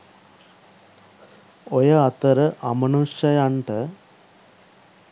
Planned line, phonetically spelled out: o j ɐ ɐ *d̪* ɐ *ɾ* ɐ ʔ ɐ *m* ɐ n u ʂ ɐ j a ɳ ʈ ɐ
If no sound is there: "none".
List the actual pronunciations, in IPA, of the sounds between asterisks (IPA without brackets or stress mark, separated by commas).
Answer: t̪, ɾ, m